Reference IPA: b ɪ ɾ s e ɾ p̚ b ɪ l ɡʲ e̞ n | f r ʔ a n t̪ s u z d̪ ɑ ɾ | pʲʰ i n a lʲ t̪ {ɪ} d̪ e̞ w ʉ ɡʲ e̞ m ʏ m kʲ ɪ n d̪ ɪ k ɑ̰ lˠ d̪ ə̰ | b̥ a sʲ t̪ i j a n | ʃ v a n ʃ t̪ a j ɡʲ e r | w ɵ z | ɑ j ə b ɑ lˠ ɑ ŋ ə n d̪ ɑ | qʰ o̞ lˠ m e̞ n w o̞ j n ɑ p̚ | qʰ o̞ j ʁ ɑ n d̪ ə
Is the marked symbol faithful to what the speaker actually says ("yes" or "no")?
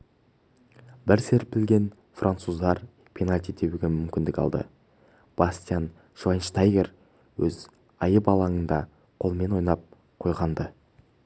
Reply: no